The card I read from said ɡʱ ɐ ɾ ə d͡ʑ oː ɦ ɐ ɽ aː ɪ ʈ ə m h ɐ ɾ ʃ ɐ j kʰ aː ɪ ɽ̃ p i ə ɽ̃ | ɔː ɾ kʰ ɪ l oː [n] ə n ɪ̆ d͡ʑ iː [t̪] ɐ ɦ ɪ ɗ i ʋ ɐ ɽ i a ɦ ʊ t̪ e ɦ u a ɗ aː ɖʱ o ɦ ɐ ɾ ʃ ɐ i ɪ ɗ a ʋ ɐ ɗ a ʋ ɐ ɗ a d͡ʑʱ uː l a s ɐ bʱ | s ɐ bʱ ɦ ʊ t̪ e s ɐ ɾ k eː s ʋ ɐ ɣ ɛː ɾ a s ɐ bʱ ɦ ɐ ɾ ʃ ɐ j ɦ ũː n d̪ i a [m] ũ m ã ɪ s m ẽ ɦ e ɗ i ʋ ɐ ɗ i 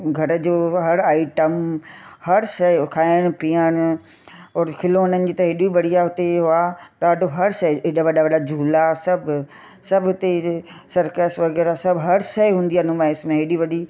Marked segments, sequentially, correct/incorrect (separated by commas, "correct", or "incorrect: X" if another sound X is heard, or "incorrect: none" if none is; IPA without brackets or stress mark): correct, correct, incorrect: n